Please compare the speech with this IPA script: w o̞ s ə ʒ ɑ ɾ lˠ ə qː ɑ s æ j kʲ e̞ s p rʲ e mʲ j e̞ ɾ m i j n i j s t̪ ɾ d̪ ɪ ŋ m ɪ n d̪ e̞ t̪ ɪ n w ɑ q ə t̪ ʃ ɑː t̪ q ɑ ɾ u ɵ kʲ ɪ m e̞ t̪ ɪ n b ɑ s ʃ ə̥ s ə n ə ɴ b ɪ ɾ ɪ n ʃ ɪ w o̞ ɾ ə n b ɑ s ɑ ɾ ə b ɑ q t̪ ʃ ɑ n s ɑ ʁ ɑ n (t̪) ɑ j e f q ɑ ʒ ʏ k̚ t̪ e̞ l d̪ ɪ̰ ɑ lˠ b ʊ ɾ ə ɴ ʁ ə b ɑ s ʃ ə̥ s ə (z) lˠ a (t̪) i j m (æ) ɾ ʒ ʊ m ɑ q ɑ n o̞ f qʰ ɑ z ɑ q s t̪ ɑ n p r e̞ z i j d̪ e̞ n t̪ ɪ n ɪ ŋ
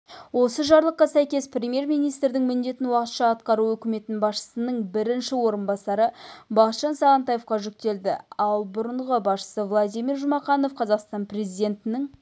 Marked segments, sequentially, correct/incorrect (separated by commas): correct, incorrect, incorrect, incorrect